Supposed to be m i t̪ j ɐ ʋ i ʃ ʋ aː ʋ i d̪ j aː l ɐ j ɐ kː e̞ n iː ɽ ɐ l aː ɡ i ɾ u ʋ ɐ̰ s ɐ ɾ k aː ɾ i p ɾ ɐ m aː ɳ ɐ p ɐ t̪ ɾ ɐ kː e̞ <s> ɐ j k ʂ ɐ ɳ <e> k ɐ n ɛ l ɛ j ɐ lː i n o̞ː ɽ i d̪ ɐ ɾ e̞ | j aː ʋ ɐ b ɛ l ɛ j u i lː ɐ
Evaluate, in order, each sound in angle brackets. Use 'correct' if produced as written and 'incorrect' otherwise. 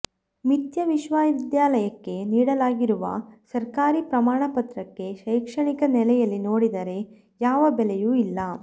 incorrect: ʃ, incorrect: i

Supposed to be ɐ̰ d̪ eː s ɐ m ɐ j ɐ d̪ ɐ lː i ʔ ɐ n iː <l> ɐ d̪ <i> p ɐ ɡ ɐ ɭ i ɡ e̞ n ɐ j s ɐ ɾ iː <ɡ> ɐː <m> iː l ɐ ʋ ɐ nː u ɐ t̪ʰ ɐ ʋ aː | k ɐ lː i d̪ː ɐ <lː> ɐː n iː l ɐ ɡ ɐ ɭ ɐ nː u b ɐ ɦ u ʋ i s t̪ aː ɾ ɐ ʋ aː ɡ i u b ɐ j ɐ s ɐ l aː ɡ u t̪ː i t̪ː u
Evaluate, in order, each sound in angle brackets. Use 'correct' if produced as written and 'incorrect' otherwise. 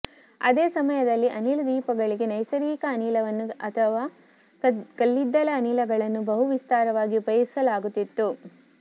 correct, incorrect: iː, incorrect: k, incorrect: n, incorrect: l

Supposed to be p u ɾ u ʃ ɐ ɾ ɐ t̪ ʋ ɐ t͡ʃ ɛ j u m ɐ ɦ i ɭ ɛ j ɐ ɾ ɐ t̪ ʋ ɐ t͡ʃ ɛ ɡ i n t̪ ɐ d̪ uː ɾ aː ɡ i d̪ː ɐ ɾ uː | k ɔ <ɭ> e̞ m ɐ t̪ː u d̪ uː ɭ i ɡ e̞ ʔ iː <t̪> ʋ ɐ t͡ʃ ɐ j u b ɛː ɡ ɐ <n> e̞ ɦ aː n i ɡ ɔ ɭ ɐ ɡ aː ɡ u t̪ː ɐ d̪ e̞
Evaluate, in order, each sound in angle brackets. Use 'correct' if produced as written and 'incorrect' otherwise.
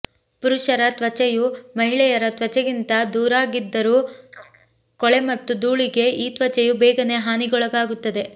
correct, correct, correct

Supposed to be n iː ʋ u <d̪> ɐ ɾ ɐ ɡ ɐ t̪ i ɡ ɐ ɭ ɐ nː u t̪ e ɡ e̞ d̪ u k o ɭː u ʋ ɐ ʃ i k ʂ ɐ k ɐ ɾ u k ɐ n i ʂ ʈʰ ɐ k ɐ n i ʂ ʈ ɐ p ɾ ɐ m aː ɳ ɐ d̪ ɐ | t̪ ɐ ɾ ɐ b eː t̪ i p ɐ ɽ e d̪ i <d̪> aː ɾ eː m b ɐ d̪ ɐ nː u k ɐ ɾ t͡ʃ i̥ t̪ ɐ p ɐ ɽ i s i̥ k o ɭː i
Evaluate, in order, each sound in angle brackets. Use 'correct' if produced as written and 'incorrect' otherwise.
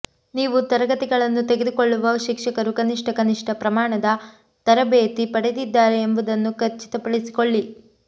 incorrect: t̪, incorrect: d̪ː

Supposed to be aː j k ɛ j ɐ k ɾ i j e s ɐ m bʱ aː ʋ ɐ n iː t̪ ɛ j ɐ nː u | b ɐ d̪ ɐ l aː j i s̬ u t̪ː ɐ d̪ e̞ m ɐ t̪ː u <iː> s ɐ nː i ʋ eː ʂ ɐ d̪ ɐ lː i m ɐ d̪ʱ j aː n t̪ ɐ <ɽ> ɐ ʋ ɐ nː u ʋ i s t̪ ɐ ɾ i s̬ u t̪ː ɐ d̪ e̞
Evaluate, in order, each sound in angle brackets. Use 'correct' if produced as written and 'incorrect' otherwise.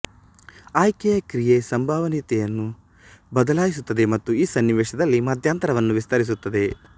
correct, incorrect: ɾ

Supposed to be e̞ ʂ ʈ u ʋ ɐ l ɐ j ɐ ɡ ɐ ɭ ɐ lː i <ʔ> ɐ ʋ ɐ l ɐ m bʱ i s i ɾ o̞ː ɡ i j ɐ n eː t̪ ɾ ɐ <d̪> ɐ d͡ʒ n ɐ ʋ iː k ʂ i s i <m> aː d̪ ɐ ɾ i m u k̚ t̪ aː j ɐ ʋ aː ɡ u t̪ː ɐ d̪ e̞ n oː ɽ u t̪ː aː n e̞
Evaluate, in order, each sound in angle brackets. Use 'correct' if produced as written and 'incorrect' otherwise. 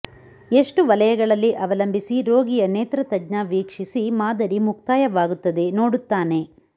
correct, incorrect: t̪, correct

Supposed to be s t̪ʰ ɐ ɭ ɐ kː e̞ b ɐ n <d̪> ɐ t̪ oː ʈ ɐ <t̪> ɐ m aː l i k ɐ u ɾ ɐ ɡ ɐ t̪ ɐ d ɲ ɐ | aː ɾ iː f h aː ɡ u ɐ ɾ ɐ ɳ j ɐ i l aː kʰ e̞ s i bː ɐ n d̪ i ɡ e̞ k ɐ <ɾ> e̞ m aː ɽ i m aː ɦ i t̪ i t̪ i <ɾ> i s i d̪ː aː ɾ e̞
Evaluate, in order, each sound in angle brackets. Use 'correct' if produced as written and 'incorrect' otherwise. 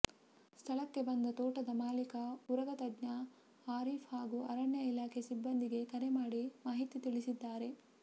correct, incorrect: d̪, correct, incorrect: ɭ

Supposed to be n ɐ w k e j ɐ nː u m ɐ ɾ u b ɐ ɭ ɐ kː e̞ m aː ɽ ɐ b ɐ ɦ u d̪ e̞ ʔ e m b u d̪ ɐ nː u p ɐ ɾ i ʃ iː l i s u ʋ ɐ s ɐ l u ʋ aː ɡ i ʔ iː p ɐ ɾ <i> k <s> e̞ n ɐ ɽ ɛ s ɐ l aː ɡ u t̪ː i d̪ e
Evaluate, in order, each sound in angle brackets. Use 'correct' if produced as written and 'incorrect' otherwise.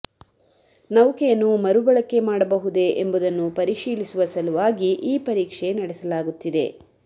incorrect: iː, incorrect: ʂ

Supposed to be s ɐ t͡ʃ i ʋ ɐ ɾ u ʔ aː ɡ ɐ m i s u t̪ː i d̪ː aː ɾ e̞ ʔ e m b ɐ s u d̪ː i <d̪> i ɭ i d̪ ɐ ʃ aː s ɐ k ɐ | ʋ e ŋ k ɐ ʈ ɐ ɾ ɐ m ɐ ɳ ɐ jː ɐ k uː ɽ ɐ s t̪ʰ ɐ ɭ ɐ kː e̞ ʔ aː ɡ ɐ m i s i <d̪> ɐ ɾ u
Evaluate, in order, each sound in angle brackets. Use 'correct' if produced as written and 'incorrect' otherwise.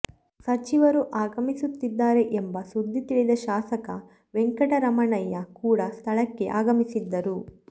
incorrect: t̪, incorrect: d̪ː

